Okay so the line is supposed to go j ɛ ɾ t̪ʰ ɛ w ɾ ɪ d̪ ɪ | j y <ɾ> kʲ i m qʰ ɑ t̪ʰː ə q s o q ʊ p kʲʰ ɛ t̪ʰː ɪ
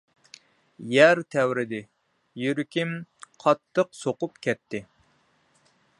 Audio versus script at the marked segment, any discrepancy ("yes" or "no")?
no